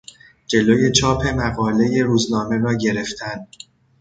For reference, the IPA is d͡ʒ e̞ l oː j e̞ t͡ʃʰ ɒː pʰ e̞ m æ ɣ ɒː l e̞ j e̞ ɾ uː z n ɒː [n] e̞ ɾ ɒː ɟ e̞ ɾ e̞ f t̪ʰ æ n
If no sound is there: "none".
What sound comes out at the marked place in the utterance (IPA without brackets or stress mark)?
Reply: m